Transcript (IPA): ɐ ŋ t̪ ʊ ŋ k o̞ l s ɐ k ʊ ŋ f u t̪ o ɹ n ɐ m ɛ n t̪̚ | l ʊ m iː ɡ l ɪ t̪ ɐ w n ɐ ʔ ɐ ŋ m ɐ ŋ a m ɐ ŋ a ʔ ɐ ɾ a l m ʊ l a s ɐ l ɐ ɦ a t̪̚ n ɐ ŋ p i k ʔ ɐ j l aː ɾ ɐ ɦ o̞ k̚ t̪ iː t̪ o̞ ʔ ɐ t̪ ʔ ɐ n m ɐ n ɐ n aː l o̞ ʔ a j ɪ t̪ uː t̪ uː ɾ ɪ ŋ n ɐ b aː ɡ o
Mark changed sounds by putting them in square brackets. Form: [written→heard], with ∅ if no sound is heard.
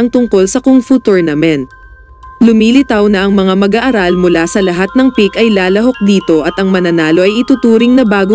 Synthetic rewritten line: ɐ ŋ t̪ ʊ ŋ k o̞ l s ɐ k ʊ ŋ f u t̪ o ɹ n ɐ m ɛ n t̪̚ | l ʊ m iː [ɡ→∅] l ɪ t̪ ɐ w n ɐ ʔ ɐ ŋ m ɐ ŋ a m ɐ [ŋ→ɡ] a ʔ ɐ ɾ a l m ʊ l a s ɐ l ɐ ɦ a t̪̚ n ɐ ŋ p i k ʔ ɐ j l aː [ɾ→l] ɐ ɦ o̞ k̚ [t̪→d̪] iː t̪ o̞ ʔ ɐ t̪ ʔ ɐ [n→ŋ] m ɐ n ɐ n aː l o̞ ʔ [a→ɐ] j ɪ t̪ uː t̪ uː ɾ ɪ ŋ n ɐ b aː ɡ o